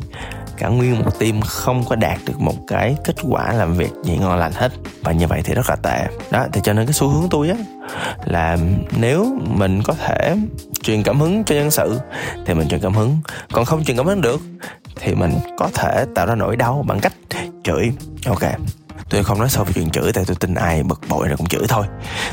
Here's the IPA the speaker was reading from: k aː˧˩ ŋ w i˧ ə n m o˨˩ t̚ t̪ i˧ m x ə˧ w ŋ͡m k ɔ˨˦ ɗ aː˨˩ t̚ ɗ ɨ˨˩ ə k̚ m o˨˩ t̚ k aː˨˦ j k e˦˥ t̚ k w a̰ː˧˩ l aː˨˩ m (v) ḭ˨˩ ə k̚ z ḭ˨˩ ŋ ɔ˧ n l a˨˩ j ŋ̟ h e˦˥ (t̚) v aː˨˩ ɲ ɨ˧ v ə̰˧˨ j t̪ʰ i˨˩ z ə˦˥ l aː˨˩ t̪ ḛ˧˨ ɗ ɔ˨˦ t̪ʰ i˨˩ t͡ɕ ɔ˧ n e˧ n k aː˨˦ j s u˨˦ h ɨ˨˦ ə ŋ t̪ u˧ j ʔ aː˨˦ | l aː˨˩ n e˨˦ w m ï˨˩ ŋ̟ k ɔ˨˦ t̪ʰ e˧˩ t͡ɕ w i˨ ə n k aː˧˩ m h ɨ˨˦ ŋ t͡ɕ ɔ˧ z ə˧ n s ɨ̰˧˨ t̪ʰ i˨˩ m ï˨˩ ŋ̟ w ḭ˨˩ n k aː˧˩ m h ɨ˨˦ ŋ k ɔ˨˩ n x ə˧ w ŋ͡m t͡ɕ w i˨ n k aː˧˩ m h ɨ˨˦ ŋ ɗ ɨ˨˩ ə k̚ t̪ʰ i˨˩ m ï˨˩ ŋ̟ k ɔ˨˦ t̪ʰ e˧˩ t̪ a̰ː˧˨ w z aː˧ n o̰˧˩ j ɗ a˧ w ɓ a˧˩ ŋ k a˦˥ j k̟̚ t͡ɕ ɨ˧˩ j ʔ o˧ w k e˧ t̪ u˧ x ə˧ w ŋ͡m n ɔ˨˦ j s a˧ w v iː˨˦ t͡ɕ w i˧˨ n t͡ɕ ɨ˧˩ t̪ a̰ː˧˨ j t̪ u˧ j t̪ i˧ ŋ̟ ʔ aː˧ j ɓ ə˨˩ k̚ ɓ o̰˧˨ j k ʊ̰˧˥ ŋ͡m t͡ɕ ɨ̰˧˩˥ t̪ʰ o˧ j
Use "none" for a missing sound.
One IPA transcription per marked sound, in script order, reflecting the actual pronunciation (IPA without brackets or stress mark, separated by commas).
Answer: v, t̚